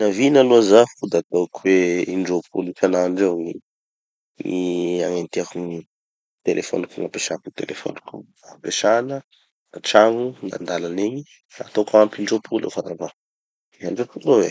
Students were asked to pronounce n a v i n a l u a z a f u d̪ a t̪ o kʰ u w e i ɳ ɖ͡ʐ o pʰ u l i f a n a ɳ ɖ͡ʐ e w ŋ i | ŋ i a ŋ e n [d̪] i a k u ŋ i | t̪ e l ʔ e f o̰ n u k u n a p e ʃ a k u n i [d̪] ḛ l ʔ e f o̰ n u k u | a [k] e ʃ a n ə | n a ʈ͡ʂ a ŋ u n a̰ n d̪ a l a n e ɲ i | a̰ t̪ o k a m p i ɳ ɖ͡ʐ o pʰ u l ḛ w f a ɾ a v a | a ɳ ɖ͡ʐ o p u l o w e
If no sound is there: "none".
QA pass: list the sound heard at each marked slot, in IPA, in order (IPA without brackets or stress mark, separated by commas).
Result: t̪, t̪, p